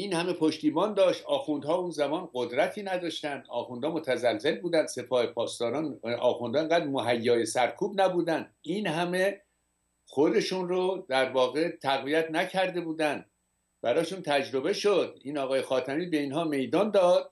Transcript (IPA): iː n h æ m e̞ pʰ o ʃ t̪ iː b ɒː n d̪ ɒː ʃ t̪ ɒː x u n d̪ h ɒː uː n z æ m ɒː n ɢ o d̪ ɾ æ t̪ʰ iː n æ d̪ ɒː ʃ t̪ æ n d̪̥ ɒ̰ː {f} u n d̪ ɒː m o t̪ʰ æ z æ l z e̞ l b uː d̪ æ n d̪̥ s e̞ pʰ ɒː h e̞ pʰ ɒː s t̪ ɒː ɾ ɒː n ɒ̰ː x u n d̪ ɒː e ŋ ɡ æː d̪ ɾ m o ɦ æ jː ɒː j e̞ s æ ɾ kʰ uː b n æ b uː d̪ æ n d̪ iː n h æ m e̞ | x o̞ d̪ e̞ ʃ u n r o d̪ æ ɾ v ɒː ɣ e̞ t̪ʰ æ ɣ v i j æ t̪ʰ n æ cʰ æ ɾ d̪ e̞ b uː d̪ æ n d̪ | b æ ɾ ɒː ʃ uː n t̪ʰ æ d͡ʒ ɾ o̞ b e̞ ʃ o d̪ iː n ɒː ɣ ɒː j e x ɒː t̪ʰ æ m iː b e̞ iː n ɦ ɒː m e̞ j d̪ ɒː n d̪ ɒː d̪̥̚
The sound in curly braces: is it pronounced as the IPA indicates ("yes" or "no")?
no